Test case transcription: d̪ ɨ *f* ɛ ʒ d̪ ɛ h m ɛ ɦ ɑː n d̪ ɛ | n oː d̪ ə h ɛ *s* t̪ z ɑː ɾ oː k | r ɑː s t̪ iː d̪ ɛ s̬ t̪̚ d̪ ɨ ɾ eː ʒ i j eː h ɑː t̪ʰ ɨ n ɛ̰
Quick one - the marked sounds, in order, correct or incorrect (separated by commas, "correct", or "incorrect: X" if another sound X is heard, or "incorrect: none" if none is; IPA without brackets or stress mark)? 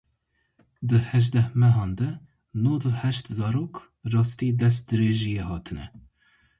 incorrect: h, incorrect: ʃ